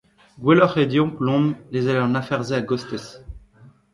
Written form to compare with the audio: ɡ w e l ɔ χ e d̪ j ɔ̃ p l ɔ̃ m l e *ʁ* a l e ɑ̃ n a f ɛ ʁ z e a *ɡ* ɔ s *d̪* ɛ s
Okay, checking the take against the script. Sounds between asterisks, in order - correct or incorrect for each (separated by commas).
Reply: incorrect, correct, incorrect